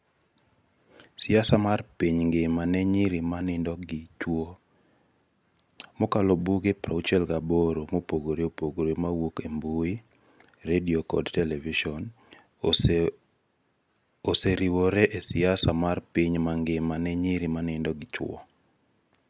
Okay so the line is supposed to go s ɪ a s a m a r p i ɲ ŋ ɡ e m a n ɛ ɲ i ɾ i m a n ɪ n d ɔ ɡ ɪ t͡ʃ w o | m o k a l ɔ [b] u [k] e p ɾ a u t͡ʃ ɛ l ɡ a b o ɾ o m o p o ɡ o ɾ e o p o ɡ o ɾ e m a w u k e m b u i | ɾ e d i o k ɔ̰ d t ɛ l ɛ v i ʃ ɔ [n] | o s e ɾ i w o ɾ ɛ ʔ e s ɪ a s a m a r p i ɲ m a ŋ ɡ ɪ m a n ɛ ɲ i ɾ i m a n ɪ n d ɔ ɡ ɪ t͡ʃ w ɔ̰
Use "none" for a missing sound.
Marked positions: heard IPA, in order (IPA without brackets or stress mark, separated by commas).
b, ɡ, n